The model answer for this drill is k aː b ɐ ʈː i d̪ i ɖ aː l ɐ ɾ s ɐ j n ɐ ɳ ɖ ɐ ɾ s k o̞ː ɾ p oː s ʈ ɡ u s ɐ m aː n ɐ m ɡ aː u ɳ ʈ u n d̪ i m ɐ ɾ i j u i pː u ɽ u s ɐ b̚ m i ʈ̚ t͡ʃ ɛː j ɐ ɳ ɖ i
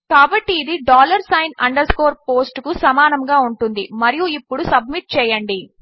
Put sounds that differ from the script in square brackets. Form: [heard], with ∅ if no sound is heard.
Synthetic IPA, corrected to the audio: k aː b ɐ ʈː [iː] d̪ i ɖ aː l ɐ ɾ s ɐ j n ɐ ɳ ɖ ɐ ɾ s k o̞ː ɾ p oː s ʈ [k] u s ɐ m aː n ɐ m ɡ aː u ɳ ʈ u n d̪ i m ɐ ɾ i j u i pː u ɽ u s ɐ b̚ m i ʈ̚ t͡ʃ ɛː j ɐ ɳ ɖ i

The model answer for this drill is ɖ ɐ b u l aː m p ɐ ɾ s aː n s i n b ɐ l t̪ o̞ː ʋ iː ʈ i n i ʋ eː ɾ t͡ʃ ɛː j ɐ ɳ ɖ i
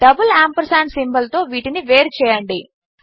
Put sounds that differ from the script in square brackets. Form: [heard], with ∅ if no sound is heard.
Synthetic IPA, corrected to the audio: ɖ ɐ b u l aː m p ɐ ɾ s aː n s i [m] b ɐ l t̪ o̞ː ʋ iː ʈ i n i ʋ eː ɾ t͡ʃ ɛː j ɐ ɳ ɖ i

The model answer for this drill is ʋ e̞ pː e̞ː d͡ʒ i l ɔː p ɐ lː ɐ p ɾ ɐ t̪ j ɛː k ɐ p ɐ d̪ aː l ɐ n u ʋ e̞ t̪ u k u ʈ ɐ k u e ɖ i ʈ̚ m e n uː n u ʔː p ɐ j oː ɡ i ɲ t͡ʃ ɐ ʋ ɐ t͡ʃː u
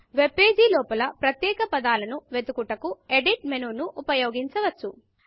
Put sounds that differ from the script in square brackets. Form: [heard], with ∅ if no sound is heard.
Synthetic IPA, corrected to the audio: ʋ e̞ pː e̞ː d͡ʒ i l ɔː p ɐ [l] ɐ p ɾ ɐ t̪ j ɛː k ɐ p ɐ d̪ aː l ɐ n u ʋ e̞ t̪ u k u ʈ ɐ k u e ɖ i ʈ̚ m e n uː n u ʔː p ɐ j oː ɡ i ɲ t͡ʃ ɐ ʋ ɐ t͡ʃː u

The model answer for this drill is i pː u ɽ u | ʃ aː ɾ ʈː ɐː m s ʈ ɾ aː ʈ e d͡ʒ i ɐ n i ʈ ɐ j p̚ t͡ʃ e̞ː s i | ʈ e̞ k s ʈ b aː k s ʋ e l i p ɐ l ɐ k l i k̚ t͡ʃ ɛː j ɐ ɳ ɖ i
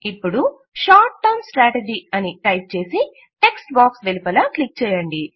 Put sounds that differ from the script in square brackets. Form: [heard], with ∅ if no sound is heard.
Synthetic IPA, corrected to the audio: i pː u ɽ u | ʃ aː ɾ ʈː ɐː m s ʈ ɾ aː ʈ e d͡ʒ i ɐ n i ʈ ɐ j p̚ t͡ʃ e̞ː s i | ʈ e̞ k s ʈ b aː k s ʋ e l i p ɐ l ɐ k l i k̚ t͡ʃ ɛː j ɐ ɳ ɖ i

